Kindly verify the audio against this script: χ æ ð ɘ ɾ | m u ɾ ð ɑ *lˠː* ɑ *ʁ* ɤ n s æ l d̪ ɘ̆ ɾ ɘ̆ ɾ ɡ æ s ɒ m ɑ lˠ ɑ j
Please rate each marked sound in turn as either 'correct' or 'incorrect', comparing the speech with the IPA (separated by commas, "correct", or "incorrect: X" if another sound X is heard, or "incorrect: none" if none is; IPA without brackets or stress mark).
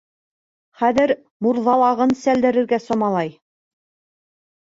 incorrect: lˠ, correct